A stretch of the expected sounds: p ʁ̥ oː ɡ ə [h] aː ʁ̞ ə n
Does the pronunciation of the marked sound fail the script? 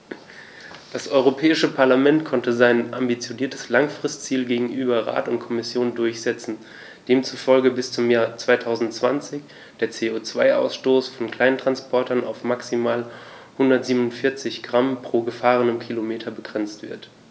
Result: yes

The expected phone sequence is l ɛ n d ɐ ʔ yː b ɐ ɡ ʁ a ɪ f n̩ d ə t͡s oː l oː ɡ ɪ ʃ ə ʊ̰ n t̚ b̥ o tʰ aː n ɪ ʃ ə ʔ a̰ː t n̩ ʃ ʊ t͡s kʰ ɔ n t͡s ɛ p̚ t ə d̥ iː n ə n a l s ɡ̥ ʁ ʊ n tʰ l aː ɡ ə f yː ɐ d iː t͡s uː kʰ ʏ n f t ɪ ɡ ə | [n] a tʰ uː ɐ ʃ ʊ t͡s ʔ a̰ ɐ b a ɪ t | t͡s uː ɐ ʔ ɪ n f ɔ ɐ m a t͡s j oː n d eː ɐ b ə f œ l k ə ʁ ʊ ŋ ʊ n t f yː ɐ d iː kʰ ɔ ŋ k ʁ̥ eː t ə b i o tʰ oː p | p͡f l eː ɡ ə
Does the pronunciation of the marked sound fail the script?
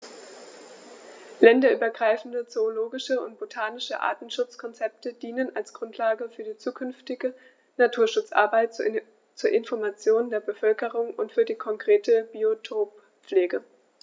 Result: no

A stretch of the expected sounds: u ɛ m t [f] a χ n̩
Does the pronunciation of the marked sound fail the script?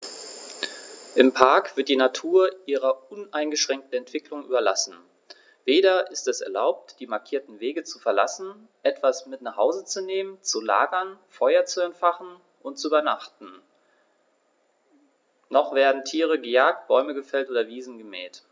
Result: no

